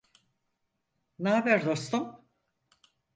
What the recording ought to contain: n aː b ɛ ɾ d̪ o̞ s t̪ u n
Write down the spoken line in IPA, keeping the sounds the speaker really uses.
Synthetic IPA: n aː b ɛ ɾ d̪ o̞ s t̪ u m